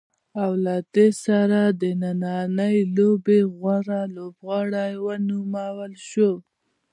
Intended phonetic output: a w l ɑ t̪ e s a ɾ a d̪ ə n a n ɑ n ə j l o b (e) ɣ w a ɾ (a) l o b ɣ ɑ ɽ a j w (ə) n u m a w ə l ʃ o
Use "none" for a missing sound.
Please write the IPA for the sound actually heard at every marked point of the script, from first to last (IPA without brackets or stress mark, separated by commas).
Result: e, a, ə